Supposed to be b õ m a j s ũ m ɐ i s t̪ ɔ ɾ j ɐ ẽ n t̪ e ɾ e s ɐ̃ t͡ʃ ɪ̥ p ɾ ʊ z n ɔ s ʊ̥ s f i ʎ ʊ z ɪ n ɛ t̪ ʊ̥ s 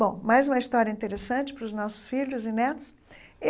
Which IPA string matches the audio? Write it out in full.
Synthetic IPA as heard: b õ m a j z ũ m ɐ i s t̪ ɔ ɾ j ɐ ĩ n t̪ e ɾ e s ɐ̃ t͡ʃ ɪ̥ p ɾ ʊ z n ɔ s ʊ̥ s f i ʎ ʊ z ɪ n ɛ t̪ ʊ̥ s

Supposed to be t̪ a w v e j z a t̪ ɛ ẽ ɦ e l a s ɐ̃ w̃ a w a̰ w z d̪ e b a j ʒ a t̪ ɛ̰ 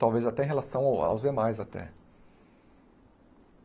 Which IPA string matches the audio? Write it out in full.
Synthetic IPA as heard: t̪ a w v e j z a t̪ ɛ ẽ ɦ e l a s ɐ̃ w̃ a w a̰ w z d̪ e m a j z a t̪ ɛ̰

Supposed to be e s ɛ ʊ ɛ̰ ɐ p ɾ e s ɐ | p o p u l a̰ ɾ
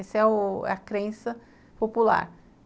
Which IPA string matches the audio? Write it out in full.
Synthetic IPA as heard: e s ɛ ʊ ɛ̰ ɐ k ɾ ẽ s ɐ | p o p u l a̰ ɾ

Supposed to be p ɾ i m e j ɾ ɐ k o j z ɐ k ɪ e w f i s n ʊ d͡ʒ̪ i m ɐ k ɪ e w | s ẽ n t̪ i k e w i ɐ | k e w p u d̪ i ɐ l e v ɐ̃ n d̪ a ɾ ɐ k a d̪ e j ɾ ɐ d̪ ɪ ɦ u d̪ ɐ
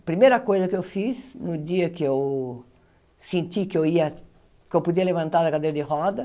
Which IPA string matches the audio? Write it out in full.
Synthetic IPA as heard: p ɾ i m e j ɾ ɐ k o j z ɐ k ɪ e w f i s n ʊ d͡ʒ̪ i ɐ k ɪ e w | s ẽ n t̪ i k e w i ɐ | k e w p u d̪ i ɐ l e v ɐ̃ n t̪ a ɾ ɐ k a d̪ e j ɾ ɐ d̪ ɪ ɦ ɔ d̪ ɐ

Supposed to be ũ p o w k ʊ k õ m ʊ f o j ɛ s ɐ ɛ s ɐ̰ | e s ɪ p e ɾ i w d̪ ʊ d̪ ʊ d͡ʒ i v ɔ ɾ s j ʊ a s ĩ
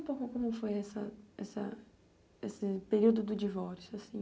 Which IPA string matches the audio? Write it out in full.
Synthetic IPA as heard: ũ p o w k ʊ k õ m ʊ f o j ɛ s ɐ ɛ s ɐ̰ | e s ɪ p e ɾ i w d̪ ʊ d̪ ʊ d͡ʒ i v ɔ ɾ s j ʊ a s ĩ

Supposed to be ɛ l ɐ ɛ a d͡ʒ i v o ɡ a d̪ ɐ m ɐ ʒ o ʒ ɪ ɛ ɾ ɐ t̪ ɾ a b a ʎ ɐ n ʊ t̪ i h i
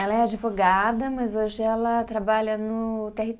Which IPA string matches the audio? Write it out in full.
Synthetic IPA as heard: ɛ l ɐ ɛ a d͡ʒ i v o ɡ a d̪ ɐ m ɐ z o ʒ ɪ ɛ l ɐ t̪ ɾ a b a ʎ ɐ n ʊ t̪ e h i

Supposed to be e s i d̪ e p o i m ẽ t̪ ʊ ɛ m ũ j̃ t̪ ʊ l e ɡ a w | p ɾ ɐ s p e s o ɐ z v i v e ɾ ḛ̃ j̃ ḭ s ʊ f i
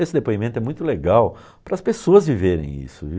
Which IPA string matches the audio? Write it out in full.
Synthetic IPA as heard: e s ɪ d̪ e p o i m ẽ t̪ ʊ ɛ m ũ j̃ t̪ ʊ l e ɡ a w | p ɾ ɐ s p e s o ɐ z v i v e ɾ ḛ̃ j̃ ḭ s ʊ v i

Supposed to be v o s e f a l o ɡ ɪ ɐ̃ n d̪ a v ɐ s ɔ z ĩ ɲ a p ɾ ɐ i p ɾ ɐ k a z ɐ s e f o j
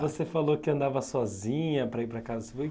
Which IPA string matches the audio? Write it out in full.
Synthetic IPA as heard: v o s e f a l o k ɪ ɐ̃ n d̪ a v ɐ s ɔ z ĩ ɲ ɐ p ɾ ɐ i p ɾ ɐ k a z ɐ s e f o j

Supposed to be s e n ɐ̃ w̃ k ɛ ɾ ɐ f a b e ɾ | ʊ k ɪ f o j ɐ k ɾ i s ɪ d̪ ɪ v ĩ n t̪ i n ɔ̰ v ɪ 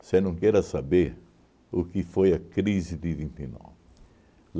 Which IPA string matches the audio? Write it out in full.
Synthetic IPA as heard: s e n ɐ̃ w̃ k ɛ ɾ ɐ s a b e ɾ | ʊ k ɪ f o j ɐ k ɾ i z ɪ d̪ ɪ v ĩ n t̪ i n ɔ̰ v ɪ

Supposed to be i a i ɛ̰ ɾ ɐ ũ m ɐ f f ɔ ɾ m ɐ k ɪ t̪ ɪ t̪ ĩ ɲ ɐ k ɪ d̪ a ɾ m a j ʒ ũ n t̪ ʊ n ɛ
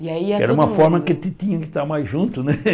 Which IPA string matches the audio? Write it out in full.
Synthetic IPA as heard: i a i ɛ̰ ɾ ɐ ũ m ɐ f f ɔ ɾ m ɐ k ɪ t̪ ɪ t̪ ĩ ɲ ɐ k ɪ t̪ a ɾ m a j ʒ ũ n t̪ ʊ n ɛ

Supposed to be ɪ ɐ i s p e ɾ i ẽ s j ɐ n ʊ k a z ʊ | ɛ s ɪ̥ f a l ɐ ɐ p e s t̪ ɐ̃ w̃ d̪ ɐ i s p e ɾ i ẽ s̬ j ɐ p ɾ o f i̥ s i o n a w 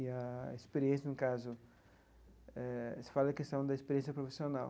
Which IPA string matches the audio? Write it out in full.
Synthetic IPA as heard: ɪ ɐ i s p e ɾ i ẽ s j ɐ n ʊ k a z ʊ | ɛ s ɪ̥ f a l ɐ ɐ k e s t̪ ɐ̃ w̃ d̪ ɐ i s p e ɾ i ẽ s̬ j ɐ p ɾ o f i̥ s i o n a w

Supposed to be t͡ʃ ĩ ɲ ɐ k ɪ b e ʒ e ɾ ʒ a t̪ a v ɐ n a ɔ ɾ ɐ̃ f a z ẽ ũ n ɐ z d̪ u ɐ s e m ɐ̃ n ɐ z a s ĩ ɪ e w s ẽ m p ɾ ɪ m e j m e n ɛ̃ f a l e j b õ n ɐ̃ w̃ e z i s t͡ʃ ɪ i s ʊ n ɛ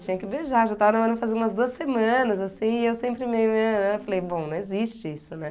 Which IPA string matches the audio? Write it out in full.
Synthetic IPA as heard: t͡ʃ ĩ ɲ ɐ k ɪ b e ʒ a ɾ ʒ a t̪ a v ɐ n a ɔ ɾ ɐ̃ f a z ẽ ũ m ɐ z d̪ u ɐ s e m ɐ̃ n ɐ z a s ĩ ɪ e w s ẽ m p ɾ ɪ m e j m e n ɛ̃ f a l e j b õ n ɐ̃ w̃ e z i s t͡ʃ ɪ i s ʊ n ɛ

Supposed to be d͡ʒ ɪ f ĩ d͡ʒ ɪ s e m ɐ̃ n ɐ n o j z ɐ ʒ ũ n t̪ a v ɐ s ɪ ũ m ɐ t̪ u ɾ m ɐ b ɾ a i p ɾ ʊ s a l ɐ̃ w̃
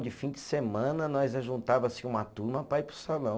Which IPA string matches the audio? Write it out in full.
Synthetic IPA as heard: d͡ʒ ɪ f ĩ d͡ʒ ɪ s e m ɐ̃ n ɐ n ɔ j z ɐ ʒ ũ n t̪ a v ɐ s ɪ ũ m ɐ t̪ u ɾ m ɐ p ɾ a i p ɾ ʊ s a l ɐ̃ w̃

